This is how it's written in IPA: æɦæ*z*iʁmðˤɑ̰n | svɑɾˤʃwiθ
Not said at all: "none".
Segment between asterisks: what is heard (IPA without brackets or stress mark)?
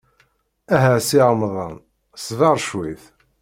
s